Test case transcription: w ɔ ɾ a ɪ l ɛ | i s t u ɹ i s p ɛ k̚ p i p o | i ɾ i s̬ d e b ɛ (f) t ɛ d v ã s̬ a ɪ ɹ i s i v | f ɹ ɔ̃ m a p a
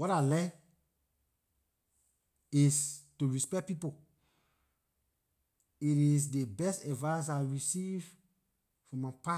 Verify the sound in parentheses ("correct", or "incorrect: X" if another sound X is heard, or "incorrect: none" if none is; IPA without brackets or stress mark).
incorrect: s